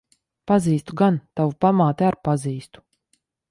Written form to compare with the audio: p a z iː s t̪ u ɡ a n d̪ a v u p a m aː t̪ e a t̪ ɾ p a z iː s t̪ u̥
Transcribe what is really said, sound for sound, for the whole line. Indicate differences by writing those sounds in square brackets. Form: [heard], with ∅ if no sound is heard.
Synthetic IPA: p a z iː s t̪ u ɡ a n [t̪] a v u p a m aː t̪ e a [∅] ɾ p a z iː s t̪ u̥